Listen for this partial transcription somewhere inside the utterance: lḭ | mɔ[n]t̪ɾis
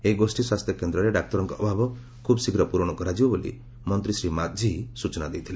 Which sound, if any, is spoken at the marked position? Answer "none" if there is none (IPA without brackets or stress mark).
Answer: n